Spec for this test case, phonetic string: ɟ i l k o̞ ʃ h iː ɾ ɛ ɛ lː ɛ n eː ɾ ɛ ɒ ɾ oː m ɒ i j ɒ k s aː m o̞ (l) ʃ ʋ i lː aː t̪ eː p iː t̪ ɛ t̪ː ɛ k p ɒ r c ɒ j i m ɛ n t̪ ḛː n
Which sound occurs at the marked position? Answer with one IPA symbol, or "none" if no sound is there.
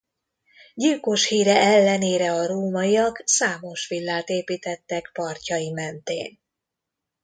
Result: none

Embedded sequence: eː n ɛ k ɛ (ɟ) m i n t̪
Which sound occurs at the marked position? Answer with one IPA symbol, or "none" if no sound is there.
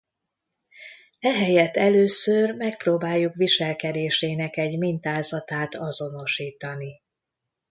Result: ɟ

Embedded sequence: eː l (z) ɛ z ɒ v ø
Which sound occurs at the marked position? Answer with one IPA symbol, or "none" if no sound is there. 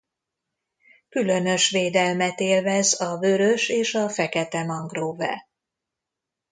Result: v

